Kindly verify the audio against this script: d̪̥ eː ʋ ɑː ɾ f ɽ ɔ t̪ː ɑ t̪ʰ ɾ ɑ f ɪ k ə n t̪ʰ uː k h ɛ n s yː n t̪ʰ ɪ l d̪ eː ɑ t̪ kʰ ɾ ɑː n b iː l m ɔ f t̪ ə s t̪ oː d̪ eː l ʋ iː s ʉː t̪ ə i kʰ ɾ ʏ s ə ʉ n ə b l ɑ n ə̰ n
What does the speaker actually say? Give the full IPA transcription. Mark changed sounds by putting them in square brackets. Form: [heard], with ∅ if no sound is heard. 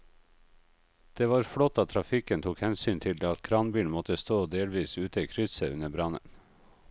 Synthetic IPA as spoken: d̪̥ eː ʋ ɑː ɾ f ɽ ɔ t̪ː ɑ t̪ʰ ɾ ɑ f ɪ k ə n t̪ʰ uː k h ɛ n s yː n t̪ʰ ɪ l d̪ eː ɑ t̪ kʰ ɾ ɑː n b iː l m ɔ [∅] t̪ ə s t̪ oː d̪ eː l ʋ iː s ʉː t̪ ə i kʰ ɾ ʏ s ə ʉ n ə b [ɾ] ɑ n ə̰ n